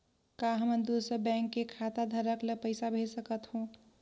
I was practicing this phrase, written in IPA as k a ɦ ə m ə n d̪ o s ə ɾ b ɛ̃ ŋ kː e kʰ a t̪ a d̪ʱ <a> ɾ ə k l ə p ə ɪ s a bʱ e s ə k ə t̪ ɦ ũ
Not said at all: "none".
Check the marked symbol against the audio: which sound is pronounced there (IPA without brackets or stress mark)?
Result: ə